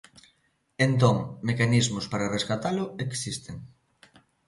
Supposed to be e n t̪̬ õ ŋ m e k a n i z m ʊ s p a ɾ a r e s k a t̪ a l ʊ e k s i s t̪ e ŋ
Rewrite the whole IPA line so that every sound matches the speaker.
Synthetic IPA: e n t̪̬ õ ŋ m e k a n i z m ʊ s p a ɾ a r e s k a t̪ a l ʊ e k s i s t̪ e ŋ